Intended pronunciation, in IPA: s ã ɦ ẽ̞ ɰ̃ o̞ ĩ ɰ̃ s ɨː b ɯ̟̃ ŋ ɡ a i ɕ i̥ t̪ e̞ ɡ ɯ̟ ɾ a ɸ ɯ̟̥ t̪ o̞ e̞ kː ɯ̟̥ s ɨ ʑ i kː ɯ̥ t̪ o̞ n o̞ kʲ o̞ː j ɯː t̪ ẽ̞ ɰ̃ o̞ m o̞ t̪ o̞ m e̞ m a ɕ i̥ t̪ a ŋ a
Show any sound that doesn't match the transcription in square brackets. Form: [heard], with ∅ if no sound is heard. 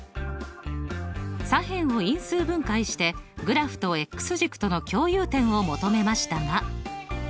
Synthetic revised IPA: s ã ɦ ẽ̞ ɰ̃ o̞ ĩ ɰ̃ s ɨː b ɯ̟̃ ŋ [k] a i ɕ i̥ t̪ e̞ ɡ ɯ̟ ɾ a ɸ ɯ̟̥ t̪ o̞ e̞ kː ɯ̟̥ s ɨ ʑ i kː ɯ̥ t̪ o̞ n o̞ kʲ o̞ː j ɯː t̪ ẽ̞ ɰ̃ o̞ m o̞ t̪ o̞ m e̞ m a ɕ i̥ t̪ a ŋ a